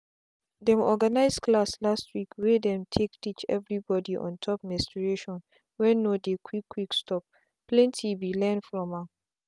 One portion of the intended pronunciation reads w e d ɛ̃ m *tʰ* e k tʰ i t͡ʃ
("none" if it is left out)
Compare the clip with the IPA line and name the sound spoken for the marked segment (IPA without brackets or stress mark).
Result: tʰ